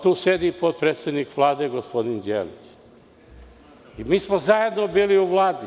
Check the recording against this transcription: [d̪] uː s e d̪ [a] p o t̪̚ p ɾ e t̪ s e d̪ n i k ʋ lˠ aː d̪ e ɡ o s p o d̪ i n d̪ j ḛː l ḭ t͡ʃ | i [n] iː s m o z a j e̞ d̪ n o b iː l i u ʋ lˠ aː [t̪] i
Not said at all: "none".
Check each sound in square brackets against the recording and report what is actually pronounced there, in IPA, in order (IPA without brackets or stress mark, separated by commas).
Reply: t̪, i, m, d̪